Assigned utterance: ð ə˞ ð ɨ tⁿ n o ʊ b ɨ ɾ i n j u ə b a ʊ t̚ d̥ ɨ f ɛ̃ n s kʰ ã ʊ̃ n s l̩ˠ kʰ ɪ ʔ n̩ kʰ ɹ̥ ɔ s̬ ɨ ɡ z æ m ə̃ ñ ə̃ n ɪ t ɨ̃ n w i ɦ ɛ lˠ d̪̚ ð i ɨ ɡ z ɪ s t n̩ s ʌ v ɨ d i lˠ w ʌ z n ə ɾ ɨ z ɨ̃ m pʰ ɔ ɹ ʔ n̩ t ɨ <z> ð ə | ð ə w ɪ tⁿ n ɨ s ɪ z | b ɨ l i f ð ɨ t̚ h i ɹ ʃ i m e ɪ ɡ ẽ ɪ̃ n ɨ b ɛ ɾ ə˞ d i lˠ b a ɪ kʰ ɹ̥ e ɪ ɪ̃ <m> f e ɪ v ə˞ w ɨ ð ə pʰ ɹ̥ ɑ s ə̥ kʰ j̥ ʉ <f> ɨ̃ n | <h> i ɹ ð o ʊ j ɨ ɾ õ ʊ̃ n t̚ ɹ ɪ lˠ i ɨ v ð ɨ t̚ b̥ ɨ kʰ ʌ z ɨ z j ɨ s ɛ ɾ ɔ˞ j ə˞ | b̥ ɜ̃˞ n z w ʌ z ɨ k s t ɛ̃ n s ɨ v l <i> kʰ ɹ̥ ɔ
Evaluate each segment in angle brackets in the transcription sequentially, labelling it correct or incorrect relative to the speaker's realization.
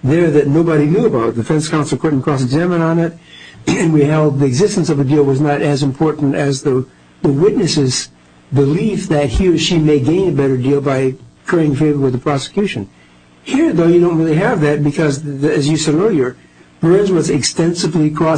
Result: correct, incorrect: ŋ, incorrect: ʃ, correct, correct

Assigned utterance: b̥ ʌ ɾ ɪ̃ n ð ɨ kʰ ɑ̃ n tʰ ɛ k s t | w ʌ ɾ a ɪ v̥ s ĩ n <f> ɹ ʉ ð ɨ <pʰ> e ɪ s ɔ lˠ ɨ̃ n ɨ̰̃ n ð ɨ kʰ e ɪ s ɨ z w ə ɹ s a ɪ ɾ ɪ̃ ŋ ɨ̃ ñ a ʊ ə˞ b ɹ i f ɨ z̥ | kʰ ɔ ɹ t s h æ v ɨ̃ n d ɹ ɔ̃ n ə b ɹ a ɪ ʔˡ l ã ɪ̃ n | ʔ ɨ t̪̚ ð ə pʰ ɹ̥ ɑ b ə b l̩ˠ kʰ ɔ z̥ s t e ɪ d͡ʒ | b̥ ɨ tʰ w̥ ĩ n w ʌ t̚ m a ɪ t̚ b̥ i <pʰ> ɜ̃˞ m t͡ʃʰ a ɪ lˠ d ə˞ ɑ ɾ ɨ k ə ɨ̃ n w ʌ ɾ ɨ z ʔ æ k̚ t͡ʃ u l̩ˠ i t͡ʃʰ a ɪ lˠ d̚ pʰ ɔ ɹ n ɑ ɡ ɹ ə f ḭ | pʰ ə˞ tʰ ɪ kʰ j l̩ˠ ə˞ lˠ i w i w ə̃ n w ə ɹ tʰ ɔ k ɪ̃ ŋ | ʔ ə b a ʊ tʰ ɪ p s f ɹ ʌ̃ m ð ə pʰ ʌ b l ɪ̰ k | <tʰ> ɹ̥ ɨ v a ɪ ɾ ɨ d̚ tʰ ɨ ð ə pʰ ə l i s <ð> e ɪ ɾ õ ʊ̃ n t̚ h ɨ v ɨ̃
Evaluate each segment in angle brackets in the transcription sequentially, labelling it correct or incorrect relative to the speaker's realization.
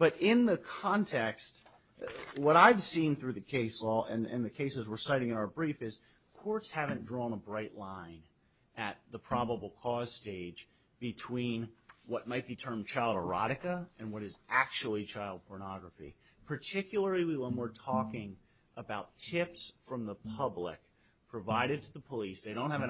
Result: incorrect: θ, incorrect: kʰ, incorrect: tʰ, incorrect: pʰ, correct

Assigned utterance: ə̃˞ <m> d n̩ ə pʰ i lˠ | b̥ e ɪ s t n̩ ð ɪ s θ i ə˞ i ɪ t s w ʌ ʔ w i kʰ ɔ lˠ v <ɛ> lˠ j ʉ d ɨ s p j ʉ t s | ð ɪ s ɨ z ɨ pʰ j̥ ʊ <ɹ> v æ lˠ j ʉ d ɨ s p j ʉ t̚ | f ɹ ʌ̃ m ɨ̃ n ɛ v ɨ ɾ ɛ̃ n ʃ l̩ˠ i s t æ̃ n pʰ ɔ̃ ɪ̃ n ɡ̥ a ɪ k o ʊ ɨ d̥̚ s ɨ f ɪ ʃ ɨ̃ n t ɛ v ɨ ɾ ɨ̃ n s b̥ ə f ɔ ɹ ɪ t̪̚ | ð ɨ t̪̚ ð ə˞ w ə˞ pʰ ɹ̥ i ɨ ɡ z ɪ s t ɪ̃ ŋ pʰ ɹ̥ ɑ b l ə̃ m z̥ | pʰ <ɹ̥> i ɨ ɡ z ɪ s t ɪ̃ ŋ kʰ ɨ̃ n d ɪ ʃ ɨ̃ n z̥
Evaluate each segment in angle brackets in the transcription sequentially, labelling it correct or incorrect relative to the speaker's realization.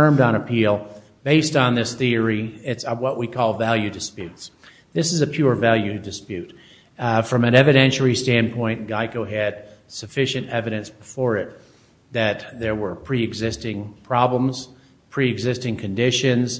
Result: correct, incorrect: æ, correct, correct

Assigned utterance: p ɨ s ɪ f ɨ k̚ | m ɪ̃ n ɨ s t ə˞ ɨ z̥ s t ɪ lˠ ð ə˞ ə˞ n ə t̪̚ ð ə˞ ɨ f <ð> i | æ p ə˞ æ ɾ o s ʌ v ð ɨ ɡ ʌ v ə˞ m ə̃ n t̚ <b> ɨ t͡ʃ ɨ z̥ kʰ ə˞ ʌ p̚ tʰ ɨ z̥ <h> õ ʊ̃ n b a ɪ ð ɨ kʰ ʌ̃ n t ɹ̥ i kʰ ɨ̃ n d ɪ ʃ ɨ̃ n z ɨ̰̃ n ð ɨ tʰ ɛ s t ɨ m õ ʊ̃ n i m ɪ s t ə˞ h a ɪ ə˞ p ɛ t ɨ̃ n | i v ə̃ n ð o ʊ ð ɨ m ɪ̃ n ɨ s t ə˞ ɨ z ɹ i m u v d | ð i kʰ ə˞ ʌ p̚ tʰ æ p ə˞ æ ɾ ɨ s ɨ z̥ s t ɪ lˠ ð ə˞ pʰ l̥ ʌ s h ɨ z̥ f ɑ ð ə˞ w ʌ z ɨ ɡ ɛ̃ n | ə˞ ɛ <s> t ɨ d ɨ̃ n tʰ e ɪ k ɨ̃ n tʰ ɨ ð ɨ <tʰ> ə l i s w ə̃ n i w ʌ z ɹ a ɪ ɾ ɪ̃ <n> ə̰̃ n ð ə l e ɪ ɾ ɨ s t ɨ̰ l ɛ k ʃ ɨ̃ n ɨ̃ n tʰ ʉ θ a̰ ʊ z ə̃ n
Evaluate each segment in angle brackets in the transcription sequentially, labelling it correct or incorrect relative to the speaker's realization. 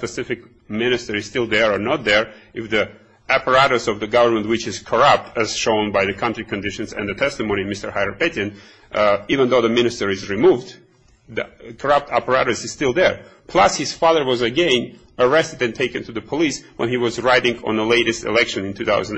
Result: correct, incorrect: w, incorrect: ʃ, correct, incorrect: pʰ, incorrect: ŋ

